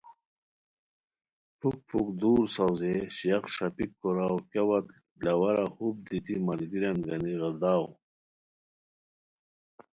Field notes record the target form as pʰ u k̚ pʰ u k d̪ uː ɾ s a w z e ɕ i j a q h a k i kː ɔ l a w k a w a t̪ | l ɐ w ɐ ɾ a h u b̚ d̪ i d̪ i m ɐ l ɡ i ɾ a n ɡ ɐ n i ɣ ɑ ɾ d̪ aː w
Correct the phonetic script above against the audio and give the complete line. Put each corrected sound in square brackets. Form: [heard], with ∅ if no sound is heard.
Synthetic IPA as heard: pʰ u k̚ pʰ u k d̪ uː ɾ s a w z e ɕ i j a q [ʂ] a [p] i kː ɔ [ɾ] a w k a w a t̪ | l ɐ w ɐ ɾ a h u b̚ d̪ i [t̪] i m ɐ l ɡ i ɾ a n ɡ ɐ n i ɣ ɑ ɾ d̪ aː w